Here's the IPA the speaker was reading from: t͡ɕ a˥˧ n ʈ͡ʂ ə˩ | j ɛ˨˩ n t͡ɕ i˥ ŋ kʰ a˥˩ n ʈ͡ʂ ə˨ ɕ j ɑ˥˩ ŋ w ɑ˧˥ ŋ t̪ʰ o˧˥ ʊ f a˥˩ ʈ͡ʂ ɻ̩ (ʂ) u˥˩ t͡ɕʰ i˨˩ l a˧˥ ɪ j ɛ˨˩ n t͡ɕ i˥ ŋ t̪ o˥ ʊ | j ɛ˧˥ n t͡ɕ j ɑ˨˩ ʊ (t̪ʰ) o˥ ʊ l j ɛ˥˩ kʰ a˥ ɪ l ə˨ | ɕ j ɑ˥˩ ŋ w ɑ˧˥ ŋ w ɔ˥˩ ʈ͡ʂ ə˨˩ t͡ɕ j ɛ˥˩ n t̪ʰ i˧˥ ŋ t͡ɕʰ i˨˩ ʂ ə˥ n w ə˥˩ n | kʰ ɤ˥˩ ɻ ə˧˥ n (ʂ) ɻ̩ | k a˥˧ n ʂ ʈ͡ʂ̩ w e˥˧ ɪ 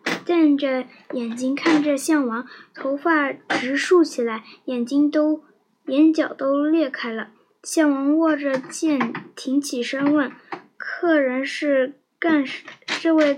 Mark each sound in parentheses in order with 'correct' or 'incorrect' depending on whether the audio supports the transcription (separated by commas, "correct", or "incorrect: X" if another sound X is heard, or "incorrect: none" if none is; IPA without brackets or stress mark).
correct, incorrect: t̪, correct